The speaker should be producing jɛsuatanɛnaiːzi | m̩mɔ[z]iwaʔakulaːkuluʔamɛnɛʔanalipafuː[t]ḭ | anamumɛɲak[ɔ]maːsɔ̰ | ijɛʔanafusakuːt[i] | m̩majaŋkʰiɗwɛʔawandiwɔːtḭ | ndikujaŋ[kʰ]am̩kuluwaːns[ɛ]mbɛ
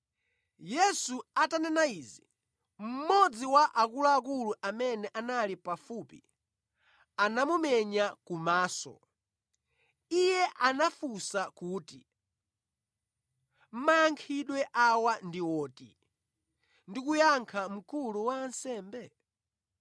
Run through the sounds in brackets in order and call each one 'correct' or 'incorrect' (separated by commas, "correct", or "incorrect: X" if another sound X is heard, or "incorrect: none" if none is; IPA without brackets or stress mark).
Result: incorrect: d͡z, incorrect: p, incorrect: u, correct, correct, incorrect: ɛː